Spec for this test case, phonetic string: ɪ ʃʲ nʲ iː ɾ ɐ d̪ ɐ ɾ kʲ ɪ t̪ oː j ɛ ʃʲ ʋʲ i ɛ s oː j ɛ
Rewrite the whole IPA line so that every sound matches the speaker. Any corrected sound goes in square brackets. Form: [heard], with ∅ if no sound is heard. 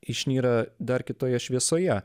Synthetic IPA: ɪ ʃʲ nʲ iː ɾ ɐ d̪ ɐ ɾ kʲ ɪ t̪ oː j ɛ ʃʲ ʋʲ i ɛ s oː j ɛ